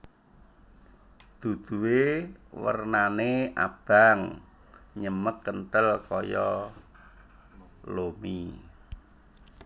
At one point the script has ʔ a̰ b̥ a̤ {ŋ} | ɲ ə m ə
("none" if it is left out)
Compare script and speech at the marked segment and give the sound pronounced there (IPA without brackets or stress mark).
ŋ